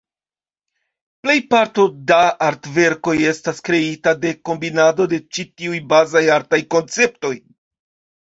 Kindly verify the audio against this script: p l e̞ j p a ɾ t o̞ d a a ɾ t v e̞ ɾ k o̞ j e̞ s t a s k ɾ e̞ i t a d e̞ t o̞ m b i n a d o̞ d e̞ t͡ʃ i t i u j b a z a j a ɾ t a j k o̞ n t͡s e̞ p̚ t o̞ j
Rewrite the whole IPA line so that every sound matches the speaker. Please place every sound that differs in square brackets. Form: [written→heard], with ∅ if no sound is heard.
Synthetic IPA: p l e̞ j p a ɾ t o̞ d a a ɾ t v e̞ ɾ k o̞ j e̞ s t a s k ɾ e̞ i t a d e̞ [t→k] o̞ m b i n a d o̞ d e̞ t͡ʃ i t i u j b a z a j a ɾ t a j k o̞ n t͡s e̞ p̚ t o̞ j